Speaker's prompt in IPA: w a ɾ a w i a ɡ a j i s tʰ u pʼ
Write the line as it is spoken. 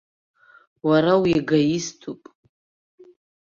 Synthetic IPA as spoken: w a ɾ a w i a ɡ a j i s tʰ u pʼ